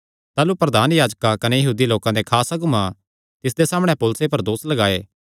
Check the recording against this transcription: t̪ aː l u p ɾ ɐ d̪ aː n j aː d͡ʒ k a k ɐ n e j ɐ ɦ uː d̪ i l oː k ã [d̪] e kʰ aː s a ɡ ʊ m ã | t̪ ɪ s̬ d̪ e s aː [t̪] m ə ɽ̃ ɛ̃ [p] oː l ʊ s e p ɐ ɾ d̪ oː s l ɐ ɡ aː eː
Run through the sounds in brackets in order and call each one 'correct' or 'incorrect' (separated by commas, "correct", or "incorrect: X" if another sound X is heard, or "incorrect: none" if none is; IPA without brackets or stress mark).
correct, incorrect: none, correct